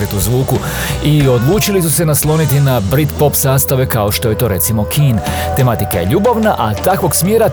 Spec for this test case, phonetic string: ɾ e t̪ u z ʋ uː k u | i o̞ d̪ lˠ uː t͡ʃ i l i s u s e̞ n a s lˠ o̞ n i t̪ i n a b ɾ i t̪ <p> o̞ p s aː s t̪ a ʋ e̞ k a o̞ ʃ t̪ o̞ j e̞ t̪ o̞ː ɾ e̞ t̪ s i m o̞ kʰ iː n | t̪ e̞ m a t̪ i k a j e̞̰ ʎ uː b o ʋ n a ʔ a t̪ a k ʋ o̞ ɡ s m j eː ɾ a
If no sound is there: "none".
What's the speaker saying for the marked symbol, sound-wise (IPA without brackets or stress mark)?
p